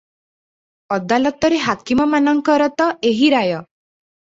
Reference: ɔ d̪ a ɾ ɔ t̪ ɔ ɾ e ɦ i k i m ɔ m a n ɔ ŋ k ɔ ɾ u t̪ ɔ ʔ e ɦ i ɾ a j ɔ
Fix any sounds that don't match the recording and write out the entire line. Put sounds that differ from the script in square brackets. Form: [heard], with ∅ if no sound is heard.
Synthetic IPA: ɔ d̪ a [l] ɔ t̪ ɔ ɾ e ɦ [a] k i m ɔ m a n ɔ ŋ k ɔ ɾ [ɔ] t̪ ɔ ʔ e ɦ i ɾ a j ɔ